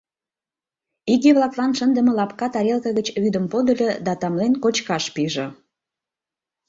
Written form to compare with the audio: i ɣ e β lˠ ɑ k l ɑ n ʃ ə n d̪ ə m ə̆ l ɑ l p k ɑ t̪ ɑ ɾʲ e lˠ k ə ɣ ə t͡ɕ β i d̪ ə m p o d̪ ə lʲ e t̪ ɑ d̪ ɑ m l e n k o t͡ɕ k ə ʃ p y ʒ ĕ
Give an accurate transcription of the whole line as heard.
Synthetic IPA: i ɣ e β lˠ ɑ k l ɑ n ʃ ə n d̪ ə m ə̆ l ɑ p k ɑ t̪ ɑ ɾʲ e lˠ k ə ɣ ə t͡ɕ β y d̪ ə m p o d̪ ə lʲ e d̪ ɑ t̪ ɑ m l e n k o t͡ɕ k ɑ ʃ p i ʒ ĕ